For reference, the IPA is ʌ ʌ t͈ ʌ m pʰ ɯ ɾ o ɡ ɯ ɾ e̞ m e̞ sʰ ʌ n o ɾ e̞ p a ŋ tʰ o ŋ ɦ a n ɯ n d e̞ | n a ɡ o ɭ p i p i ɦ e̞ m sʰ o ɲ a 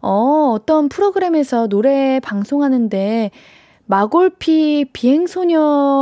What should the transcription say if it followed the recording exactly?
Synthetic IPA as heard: ʌ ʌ t͈ ʌ n pʰ ɯ ɾ o ɡ ɯ ɾ e̞ m e̞ sʰ ʌ n o ɾ e̞ p a ŋ sʰ o ŋ ɦ a n ɯ n d e̞ | m a ɡ o ɭ pʰ i p i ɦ e̞ ŋ sʰ o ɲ ʌ